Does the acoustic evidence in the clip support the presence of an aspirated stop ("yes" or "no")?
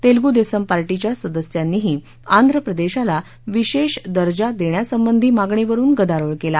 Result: no